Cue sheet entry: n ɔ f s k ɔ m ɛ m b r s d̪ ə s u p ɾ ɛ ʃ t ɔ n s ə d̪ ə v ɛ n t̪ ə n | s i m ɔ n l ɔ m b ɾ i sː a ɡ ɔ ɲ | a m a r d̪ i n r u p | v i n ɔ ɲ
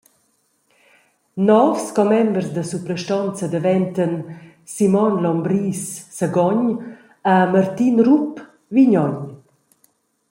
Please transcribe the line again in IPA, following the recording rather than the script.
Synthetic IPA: n ɔ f s k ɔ m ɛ m b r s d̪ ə s u p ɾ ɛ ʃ t ɔ n t͡s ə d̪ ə v ɛ n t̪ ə n | s i m ɔ n l ɔ m b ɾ i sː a ɡ ɔ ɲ | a m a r t̪ i n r u p | v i ɲ ɔ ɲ